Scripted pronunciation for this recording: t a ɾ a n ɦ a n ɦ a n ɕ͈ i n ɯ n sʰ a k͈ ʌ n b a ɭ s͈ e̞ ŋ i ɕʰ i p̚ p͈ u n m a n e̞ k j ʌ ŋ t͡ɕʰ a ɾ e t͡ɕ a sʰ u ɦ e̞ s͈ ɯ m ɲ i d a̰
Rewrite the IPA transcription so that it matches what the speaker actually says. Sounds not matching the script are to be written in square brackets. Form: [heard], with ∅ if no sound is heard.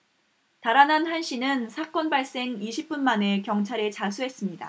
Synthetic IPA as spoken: t a ɾ a n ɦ a n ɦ a n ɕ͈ i n ɯ n sʰ a k͈ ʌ n b a ɭ s͈ e̞ ŋ i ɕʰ i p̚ p͈ u n m a n e̞ k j ʌ ŋ t͡ɕʰ a ɾ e t͡ɕ a sʰ u ɦ e̞ s͈ ɯ m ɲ i d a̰